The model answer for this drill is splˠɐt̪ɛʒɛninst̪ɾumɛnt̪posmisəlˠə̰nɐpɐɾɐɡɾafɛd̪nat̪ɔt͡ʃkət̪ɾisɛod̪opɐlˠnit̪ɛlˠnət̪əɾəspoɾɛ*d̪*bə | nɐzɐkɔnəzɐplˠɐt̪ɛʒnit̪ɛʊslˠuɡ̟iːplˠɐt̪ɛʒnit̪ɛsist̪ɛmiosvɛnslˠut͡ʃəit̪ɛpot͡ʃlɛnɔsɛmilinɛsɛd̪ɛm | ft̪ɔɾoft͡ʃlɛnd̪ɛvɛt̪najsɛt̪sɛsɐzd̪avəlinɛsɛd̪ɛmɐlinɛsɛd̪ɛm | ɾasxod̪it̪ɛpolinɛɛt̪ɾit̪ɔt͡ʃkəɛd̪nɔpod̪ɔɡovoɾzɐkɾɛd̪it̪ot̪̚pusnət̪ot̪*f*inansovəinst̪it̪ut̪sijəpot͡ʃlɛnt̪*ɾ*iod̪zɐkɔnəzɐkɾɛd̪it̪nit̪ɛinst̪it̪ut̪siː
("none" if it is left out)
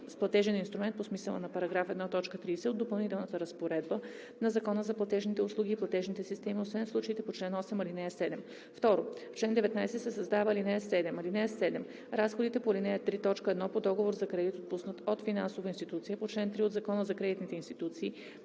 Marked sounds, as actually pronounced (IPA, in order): d̪, f, ɾ

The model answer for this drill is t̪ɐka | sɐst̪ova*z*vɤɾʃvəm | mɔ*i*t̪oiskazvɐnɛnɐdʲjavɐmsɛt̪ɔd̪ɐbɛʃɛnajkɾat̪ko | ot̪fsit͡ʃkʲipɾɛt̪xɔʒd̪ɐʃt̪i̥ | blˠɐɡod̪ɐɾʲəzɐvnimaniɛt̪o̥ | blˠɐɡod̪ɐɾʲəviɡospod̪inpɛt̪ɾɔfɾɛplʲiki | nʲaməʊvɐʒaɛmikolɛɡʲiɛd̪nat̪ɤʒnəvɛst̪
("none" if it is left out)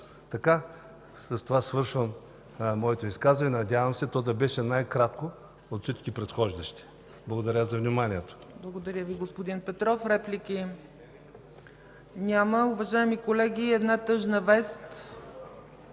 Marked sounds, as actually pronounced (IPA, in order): s, ɛ

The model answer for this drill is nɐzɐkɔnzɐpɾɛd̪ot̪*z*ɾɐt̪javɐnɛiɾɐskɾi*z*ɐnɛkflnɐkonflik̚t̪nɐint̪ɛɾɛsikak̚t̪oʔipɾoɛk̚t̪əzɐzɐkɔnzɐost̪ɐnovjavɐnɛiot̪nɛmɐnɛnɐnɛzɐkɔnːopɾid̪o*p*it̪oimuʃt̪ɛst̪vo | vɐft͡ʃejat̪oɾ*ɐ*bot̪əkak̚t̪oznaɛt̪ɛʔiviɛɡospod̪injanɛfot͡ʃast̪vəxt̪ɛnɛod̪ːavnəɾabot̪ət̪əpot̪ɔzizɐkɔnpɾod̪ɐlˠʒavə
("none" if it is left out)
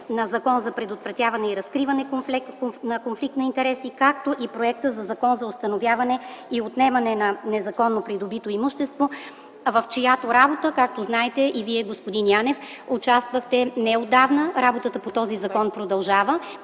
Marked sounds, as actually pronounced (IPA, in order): v, v, b, a

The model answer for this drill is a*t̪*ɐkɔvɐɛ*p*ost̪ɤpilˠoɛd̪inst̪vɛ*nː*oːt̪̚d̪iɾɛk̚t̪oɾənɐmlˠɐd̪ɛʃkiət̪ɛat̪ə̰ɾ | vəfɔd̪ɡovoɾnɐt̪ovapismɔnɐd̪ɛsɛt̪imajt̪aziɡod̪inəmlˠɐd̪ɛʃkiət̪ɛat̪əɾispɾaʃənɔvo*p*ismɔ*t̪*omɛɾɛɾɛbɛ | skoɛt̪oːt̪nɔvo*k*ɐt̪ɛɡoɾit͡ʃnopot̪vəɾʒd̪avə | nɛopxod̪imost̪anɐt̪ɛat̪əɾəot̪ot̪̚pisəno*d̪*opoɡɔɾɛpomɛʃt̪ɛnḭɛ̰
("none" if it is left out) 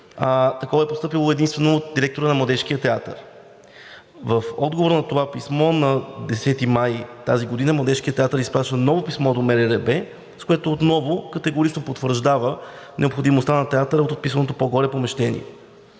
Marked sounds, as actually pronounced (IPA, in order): t̪, p, n, p, d̪, k, t̪

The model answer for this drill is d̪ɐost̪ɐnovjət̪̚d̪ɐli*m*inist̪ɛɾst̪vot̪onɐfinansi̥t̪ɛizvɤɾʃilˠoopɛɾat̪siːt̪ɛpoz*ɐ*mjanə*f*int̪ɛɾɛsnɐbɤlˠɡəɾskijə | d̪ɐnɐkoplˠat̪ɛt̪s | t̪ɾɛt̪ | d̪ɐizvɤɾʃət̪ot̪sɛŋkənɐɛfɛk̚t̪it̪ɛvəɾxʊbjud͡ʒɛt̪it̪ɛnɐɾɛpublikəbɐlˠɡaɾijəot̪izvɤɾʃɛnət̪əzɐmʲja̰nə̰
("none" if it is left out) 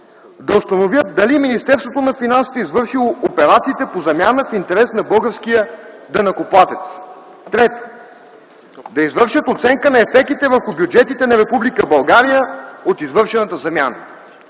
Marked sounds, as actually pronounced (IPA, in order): m, ɐ, f

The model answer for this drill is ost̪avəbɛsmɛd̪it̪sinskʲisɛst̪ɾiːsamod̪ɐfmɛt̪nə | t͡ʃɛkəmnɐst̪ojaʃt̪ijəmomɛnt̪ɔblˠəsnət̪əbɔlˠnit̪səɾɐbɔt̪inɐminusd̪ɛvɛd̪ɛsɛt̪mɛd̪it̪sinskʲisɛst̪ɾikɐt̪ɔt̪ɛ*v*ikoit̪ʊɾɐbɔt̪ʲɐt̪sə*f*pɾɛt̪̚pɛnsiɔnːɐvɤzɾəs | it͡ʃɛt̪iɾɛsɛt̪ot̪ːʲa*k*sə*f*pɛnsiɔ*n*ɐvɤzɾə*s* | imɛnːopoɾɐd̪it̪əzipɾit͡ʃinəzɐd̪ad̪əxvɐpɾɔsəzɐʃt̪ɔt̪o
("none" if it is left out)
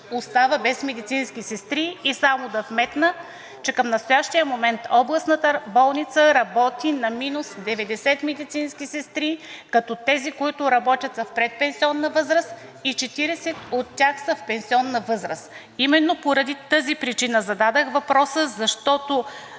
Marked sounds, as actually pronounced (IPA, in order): z, f, x, f, nː, s

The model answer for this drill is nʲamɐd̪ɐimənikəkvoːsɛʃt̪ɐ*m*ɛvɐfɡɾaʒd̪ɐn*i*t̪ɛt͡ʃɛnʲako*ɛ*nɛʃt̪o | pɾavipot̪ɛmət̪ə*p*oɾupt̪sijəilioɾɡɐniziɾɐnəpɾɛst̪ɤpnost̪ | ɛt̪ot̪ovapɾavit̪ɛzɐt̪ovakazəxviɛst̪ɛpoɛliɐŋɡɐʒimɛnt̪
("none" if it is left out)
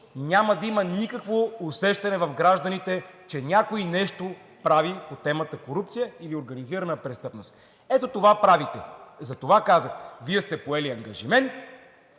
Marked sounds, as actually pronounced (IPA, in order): n, i, i, k

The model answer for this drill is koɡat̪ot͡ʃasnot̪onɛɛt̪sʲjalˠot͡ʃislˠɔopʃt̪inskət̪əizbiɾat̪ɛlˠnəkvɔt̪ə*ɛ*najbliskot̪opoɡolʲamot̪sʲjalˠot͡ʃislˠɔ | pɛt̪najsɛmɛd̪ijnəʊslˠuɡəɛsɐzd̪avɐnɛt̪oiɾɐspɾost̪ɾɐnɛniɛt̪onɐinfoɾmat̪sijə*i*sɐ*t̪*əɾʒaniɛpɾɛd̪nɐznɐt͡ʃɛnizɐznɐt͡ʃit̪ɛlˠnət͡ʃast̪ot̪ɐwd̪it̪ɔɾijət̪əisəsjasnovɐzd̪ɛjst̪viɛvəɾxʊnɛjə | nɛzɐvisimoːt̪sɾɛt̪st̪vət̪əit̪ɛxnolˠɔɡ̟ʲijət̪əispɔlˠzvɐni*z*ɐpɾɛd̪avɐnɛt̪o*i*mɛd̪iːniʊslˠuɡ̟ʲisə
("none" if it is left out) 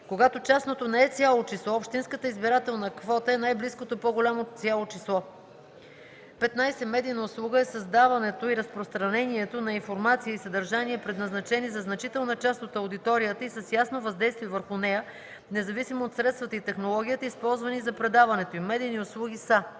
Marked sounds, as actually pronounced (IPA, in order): ɛ, i, d̪, z, i

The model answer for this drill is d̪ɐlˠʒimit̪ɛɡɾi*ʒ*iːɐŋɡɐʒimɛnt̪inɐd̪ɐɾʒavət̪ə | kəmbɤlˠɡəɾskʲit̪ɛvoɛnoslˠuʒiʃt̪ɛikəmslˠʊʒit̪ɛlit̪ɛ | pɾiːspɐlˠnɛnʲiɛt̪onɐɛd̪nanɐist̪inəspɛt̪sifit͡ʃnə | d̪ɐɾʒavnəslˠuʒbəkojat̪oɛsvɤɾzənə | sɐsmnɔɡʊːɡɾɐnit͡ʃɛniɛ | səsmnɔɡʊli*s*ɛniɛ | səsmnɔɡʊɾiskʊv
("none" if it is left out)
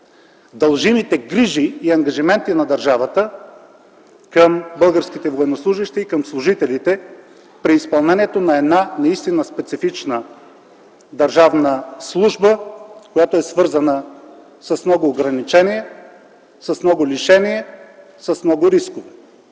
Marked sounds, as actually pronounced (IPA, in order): ʒ, ʃ

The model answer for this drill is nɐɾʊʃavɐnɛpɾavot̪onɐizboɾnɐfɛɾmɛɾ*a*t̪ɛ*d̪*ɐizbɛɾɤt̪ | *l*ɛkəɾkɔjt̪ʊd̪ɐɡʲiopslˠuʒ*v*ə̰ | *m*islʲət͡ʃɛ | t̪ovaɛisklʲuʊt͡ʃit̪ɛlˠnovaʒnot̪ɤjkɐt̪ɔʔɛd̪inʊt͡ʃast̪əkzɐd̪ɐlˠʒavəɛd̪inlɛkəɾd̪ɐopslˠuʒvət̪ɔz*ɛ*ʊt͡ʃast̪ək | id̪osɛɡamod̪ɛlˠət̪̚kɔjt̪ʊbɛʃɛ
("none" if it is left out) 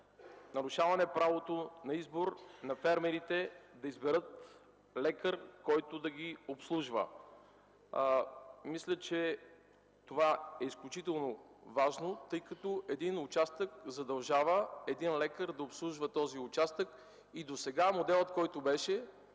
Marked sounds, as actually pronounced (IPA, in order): i, d̪, l, v, m, i

